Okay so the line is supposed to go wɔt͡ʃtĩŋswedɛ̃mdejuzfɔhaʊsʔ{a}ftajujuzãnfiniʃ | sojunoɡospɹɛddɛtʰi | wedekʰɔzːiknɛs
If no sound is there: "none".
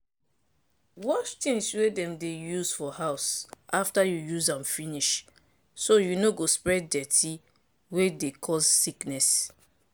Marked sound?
a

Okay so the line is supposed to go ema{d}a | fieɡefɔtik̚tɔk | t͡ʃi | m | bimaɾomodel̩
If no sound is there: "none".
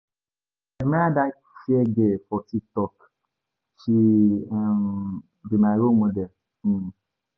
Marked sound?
d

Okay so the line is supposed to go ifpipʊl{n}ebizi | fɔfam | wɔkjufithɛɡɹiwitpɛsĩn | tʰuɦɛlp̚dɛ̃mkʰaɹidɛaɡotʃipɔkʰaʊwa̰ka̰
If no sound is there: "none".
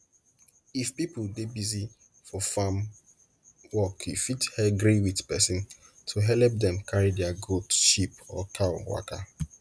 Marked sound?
d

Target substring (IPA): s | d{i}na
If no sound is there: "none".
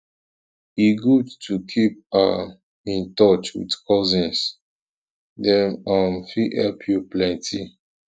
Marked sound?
ɛ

